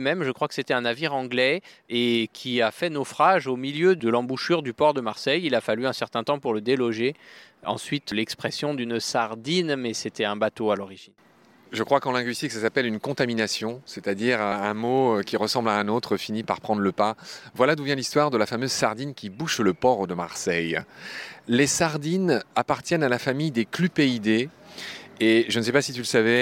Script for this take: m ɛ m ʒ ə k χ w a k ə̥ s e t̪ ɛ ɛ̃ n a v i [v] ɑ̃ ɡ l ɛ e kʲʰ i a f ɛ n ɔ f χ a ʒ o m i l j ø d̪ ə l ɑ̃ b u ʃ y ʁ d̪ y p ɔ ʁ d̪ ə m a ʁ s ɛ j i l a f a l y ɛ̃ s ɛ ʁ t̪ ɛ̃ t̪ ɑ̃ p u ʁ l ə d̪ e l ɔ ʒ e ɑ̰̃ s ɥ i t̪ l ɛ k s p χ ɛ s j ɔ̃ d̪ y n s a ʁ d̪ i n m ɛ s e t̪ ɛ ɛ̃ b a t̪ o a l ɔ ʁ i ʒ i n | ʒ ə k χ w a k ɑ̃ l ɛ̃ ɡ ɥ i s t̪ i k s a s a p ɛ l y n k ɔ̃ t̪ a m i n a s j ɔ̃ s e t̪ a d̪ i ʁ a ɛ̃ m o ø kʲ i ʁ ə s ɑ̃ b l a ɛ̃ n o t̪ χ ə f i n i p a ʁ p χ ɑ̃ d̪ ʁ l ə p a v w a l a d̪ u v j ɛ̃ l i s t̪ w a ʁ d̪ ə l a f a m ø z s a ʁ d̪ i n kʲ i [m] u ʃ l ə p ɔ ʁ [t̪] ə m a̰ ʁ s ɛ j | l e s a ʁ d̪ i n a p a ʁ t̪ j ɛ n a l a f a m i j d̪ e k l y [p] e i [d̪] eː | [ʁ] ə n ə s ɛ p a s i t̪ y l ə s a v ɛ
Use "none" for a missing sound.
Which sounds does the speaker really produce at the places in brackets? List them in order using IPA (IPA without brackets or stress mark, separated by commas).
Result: ʁ, b, d̪, p, d̪, ʒ